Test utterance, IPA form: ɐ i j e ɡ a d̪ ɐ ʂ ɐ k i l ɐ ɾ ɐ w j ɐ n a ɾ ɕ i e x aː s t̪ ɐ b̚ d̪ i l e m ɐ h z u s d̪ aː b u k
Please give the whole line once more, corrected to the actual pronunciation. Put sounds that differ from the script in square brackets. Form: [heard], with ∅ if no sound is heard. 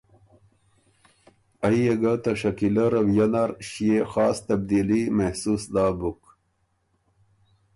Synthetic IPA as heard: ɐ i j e ɡ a [t̪] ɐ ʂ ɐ k i l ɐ ɾ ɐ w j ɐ n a ɾ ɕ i e x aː s t̪ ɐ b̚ d̪ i l [i] m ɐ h [s] u s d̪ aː b u k